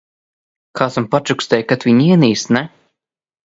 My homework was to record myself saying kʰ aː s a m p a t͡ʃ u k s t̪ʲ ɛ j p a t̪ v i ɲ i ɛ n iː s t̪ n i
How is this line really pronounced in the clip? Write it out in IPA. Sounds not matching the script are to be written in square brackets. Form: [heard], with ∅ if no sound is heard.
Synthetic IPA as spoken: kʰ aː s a m p a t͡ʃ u k s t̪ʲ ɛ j [k] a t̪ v i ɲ i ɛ n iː s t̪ n [ɛ]